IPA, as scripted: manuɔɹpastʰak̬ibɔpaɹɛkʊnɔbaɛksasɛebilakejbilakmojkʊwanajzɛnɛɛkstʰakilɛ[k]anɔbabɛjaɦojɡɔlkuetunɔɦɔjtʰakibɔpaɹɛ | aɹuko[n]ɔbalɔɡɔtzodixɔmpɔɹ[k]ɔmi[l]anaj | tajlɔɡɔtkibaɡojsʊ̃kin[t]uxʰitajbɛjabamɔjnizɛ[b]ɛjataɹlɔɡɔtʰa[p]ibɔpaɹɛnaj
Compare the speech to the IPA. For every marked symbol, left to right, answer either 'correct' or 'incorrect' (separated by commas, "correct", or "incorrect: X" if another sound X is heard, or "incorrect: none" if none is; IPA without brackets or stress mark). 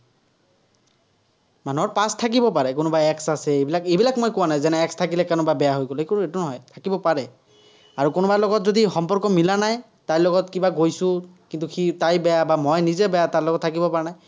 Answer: correct, correct, correct, correct, correct, correct, incorrect: k